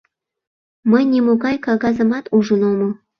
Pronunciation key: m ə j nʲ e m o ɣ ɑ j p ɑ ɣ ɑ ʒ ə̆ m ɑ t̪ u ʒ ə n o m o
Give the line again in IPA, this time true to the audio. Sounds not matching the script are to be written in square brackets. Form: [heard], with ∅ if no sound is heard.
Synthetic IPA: m ə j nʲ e m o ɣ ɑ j [k] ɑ ɣ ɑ [z] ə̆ m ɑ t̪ u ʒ ə n o m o